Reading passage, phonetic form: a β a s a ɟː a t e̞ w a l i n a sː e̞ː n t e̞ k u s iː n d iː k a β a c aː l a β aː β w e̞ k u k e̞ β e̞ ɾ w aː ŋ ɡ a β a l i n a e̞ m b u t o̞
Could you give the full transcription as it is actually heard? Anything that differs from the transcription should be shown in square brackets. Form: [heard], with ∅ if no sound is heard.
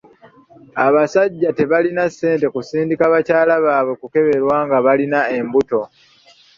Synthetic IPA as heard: a β a s a ɟː a t e̞ [β] a l i n a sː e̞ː n t e̞ k u s iː n d [i] k a β a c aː l a β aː β w e̞ k u k e̞ β e̞ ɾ w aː ŋ ɡ a β a l i n a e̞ m b u t o̞